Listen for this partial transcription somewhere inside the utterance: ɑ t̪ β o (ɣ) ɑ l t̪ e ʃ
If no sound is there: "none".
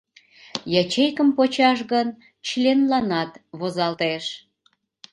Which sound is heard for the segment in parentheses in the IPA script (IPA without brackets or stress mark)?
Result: z